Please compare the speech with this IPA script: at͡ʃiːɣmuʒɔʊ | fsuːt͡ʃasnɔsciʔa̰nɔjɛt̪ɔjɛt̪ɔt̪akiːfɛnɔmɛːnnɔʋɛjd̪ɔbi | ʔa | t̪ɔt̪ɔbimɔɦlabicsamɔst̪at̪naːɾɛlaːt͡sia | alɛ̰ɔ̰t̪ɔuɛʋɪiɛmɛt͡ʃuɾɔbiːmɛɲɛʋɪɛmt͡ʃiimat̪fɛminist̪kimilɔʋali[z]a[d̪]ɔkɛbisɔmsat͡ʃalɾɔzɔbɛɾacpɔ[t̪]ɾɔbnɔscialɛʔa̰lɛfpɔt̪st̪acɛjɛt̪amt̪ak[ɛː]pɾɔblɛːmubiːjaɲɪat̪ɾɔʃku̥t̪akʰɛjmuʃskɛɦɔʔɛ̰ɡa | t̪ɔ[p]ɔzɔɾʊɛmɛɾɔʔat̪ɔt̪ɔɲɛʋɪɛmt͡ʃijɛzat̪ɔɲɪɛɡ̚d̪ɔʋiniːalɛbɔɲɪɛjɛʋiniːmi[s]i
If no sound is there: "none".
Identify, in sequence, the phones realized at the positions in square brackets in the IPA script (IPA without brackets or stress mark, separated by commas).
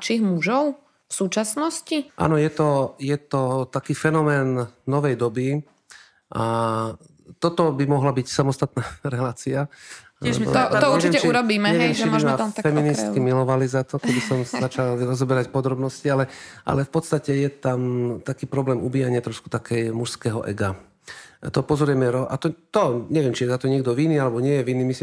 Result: z, t̪, d̪, iː, p, s